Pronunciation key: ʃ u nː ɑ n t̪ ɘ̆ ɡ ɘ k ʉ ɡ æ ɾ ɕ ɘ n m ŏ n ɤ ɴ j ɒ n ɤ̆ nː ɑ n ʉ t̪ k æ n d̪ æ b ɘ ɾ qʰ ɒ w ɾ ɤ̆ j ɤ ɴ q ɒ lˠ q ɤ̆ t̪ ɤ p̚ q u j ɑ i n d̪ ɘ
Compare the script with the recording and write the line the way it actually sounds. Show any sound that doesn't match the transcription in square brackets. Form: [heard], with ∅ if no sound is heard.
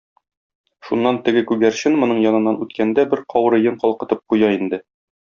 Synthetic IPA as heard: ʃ u nː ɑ n t̪ ɘ̆ ɡ ɘ k ʉ ɡ æ ɾ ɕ ɘ n m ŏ n ɤ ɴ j ɒ n ɤ̆ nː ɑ n ʉ t̪ k æ n d̪ æ b ɘ ɾ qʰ ɒ w ɾ ɤ̆ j ɤ ɴ q ɒ lˠ q ɤ̆ t̪ ɤ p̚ q u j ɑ i n d̪ ɘ